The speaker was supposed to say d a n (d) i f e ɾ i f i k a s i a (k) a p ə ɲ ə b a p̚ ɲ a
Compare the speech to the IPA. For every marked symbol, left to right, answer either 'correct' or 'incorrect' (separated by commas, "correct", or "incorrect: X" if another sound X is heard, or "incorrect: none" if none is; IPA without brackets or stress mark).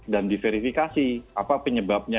correct, incorrect: p